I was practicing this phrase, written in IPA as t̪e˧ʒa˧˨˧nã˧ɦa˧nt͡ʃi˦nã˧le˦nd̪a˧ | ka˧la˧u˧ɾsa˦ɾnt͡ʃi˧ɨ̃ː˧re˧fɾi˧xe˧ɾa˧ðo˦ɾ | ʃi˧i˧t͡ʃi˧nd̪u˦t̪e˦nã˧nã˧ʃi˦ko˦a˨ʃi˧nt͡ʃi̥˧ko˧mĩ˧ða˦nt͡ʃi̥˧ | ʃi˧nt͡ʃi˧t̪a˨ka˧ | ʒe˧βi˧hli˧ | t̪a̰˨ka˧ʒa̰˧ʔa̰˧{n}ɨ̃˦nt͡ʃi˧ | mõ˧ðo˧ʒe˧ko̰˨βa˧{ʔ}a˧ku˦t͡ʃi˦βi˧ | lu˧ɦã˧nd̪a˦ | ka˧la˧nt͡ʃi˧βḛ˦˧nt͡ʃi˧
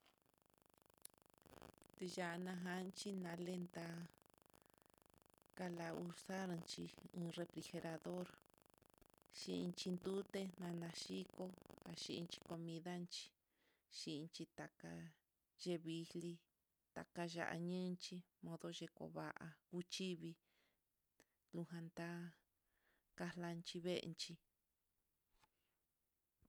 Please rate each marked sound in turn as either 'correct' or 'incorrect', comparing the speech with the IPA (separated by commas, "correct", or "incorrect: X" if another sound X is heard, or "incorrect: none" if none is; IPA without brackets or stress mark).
incorrect: ɲ, correct